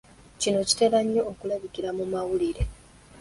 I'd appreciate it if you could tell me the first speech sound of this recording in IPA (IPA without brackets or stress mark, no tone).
c